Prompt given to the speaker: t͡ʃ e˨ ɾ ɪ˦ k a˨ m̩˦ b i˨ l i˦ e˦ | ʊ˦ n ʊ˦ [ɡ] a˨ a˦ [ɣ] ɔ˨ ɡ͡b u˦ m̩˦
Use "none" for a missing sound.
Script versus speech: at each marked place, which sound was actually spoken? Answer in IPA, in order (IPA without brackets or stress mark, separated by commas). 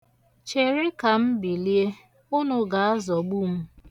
ɡ, z